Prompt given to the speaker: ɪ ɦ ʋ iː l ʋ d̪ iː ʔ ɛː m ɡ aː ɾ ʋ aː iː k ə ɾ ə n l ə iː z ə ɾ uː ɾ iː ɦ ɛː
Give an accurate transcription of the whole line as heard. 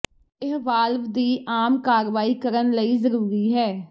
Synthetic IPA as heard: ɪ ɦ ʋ aː l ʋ d̪ iː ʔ aː m k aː ɾ ʋ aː iː k ə ɾ ə n l ə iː z ə ɾ uː ɾ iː ɦ ɛː